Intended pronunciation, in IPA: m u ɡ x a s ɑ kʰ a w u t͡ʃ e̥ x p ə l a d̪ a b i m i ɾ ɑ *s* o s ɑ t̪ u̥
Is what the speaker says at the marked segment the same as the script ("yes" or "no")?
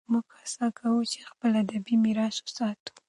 yes